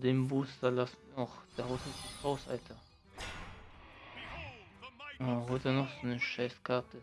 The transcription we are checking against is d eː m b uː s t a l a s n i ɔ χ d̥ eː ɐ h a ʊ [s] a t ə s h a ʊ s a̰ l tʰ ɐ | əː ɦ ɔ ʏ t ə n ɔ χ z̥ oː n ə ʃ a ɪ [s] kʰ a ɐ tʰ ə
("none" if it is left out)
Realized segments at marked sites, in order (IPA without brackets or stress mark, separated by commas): s, s